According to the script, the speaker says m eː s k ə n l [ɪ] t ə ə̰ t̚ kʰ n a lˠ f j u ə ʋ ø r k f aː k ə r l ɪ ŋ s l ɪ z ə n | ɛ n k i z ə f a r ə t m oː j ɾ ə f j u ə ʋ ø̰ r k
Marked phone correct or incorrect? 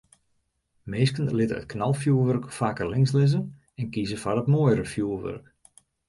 correct